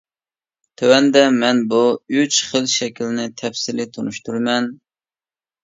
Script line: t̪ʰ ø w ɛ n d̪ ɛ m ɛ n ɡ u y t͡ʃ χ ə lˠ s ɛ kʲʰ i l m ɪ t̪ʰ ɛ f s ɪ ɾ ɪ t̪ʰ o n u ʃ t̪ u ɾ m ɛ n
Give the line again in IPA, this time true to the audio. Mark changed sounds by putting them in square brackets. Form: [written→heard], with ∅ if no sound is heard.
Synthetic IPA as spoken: t̪ʰ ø w ɛ n d̪ ɛ m ɛ n [ɡ→b] u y t͡ʃ χ ə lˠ [s→ʃ] ɛ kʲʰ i l [m→n] ɪ t̪ʰ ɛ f s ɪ [ɾ→l] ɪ t̪ʰ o n u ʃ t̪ u ɾ m ɛ n